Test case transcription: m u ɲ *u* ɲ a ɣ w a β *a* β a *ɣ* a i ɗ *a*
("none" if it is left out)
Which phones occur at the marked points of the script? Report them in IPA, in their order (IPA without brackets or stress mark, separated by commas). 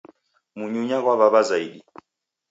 u, a, z, i